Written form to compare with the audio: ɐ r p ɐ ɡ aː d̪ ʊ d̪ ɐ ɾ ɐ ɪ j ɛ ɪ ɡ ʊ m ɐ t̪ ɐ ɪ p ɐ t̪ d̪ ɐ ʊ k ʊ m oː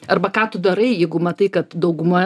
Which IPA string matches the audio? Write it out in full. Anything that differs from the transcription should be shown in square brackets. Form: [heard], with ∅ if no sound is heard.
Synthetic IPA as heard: ɐ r [b] ɐ [k] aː [t̪] ʊ d̪ ɐ ɾ ɐ ɪ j ɛ ɪ ɡ ʊ m ɐ t̪ ɐ ɪ [k] ɐ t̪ d̪ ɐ ʊ [ɡ] ʊ m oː